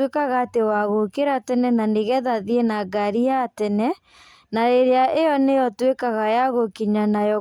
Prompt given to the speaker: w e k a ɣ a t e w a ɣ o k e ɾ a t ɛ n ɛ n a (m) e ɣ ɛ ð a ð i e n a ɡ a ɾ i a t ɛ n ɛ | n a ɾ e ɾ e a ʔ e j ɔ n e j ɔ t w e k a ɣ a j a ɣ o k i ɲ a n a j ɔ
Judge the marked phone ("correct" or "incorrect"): incorrect